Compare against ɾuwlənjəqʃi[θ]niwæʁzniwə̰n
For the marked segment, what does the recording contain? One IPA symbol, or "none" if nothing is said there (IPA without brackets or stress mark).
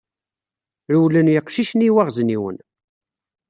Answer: ʃ